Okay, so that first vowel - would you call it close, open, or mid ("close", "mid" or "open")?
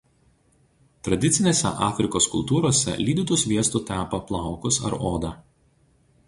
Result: open